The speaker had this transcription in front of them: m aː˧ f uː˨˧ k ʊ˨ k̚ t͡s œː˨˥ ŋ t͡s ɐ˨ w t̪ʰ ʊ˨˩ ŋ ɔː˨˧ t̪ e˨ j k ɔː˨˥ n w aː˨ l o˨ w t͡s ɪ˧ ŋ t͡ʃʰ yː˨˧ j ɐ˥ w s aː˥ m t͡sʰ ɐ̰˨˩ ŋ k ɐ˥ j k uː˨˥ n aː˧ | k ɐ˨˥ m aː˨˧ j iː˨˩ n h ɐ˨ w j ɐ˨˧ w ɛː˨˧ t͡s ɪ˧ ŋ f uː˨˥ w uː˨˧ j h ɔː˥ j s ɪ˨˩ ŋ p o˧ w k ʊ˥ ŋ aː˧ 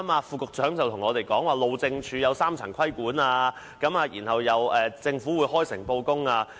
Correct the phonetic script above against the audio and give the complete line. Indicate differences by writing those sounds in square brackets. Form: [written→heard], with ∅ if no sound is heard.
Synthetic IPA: m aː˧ f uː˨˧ k ʊ˨ k̚ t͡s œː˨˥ ŋ t͡s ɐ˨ w t̪ʰ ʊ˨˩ ŋ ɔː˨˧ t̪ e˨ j k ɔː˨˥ [n→ŋ] w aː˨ l o˨ w t͡s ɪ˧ ŋ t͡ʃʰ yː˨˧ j [ɐ˥→ɐ˨˧] w s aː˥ m t͡sʰ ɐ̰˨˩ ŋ [k→kʰ] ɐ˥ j k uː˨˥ n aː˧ | k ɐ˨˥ m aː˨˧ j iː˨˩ n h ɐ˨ w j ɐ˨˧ w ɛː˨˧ t͡s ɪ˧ ŋ f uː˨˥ w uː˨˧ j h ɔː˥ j s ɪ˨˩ ŋ p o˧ w k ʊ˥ ŋ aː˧